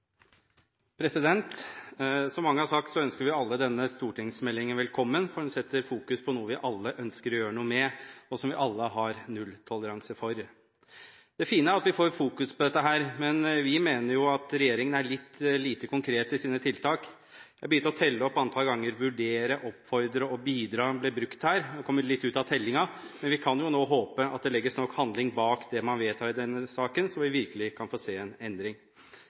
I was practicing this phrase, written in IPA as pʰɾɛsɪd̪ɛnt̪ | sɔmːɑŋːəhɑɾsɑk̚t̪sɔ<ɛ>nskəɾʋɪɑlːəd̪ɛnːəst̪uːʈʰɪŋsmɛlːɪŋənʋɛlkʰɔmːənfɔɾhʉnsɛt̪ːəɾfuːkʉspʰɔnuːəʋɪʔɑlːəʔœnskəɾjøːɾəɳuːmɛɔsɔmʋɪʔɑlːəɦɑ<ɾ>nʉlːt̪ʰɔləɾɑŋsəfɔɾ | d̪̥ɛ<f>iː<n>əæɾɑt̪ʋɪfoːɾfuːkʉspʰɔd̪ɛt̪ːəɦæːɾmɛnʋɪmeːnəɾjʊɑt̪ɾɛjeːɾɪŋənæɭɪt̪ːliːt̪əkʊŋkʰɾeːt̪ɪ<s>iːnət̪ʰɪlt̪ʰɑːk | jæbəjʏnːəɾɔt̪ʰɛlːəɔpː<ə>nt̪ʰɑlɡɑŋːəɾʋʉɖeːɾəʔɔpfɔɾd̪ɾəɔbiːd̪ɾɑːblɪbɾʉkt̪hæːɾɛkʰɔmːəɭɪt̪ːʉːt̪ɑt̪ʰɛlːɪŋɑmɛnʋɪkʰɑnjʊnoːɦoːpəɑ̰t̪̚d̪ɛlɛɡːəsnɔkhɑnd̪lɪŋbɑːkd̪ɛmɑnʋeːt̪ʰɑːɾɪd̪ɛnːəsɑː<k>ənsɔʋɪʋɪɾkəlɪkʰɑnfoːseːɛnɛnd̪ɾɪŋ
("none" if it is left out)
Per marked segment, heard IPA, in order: œ, ɾ, f, n, s, ɑ, k

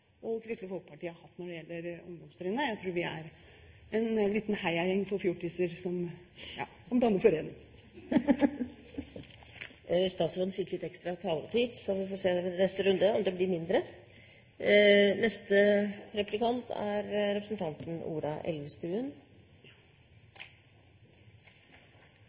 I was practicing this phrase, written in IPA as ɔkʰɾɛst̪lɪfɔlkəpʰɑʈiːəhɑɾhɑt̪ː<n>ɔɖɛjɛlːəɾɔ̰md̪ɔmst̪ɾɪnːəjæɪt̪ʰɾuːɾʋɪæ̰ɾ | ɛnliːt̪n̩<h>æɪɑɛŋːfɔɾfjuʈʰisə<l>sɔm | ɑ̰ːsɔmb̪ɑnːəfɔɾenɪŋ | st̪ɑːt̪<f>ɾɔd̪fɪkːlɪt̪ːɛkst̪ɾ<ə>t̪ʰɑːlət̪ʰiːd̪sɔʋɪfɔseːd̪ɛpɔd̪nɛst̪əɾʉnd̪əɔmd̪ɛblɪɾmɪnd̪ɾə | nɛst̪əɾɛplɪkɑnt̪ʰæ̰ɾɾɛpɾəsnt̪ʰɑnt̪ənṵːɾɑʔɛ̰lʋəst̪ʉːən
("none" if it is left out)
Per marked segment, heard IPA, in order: n, h, ɾ, s, ɑ

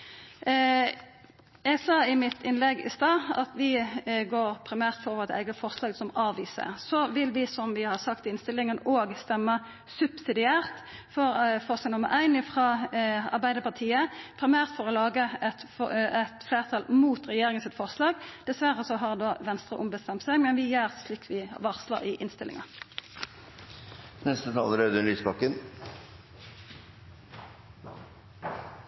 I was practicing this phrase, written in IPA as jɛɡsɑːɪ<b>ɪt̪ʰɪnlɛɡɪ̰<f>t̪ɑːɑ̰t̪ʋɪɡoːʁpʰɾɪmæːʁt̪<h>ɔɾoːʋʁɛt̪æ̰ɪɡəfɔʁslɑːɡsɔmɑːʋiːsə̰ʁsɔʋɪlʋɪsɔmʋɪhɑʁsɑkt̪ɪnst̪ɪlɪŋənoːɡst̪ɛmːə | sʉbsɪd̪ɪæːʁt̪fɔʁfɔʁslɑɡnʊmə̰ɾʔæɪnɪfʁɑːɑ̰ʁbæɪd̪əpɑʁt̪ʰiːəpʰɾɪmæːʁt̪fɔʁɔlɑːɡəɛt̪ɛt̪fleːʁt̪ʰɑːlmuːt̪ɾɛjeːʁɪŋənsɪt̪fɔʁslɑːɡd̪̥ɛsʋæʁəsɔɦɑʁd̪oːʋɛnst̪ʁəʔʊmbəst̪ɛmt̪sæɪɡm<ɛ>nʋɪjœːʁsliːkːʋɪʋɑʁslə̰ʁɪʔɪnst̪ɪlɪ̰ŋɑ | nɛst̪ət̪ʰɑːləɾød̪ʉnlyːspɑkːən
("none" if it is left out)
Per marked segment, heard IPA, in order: m, s, f, ɛ

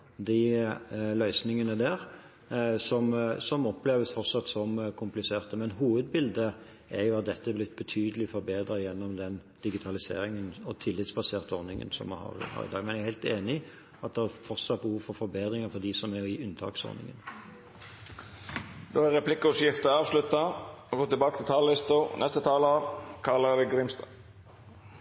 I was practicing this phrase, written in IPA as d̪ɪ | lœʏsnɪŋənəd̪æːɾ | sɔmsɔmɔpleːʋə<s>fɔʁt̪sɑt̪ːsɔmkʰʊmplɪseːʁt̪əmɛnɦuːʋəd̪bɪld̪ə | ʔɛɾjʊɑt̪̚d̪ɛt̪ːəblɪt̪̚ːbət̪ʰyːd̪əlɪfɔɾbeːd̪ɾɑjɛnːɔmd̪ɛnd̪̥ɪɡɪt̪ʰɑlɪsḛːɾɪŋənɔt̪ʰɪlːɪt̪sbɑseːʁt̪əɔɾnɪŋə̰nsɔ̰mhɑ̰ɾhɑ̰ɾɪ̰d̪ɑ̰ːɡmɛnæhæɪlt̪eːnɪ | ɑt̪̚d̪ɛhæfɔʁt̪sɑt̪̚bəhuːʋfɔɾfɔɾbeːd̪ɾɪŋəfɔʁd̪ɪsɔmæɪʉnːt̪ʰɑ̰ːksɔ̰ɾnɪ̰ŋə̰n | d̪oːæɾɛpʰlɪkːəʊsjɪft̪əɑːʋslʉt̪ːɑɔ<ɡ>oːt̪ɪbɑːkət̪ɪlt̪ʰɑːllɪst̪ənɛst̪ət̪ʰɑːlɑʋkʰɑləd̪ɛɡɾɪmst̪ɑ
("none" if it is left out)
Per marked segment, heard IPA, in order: s, ɡ

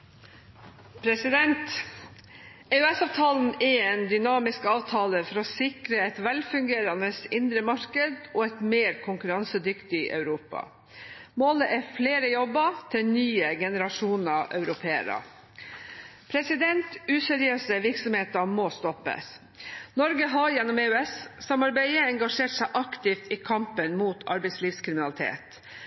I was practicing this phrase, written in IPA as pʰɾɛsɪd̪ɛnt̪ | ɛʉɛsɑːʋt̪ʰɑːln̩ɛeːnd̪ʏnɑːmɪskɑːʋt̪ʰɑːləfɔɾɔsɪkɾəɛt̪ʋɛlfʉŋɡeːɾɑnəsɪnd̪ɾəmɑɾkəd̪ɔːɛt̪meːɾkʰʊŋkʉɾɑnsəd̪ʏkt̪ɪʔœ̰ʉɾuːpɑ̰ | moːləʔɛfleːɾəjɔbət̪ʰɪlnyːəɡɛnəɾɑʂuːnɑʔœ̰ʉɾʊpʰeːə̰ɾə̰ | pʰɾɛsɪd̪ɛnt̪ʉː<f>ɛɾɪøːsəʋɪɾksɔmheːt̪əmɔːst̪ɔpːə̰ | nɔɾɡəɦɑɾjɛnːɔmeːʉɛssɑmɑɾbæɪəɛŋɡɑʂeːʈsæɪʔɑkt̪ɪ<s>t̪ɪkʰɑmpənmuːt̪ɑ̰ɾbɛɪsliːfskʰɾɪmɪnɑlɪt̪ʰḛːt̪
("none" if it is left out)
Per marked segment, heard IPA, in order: s, f

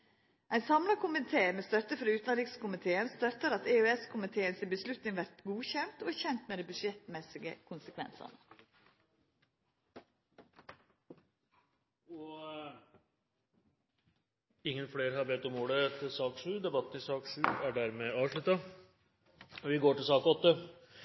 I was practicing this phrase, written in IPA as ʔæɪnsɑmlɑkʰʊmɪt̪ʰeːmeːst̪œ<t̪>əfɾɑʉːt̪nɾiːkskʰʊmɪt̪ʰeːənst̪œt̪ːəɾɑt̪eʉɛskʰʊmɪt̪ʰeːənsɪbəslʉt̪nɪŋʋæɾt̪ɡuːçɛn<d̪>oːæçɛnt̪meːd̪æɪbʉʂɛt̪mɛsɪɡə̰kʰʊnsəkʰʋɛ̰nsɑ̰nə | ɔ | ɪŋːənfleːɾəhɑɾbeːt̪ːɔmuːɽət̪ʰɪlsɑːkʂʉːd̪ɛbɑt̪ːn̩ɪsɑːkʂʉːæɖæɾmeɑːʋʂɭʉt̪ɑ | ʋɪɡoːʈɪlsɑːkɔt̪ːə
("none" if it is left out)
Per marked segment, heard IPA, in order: t̪, t̪

